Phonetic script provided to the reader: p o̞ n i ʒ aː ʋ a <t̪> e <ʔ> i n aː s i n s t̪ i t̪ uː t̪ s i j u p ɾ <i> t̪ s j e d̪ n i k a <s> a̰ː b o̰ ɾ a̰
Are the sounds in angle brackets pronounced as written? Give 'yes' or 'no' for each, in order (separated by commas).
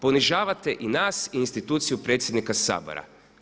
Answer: yes, yes, no, yes